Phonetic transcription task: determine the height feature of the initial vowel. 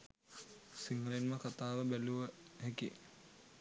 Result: high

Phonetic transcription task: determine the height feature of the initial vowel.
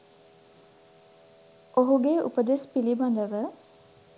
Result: mid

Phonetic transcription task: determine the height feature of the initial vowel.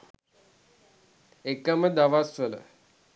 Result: mid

